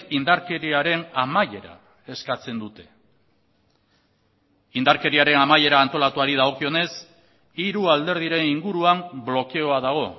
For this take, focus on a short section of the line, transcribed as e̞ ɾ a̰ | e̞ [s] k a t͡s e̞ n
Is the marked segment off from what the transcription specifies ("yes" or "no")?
no